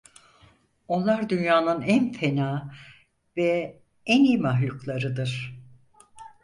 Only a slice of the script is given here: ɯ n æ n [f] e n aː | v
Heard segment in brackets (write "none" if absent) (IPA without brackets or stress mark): f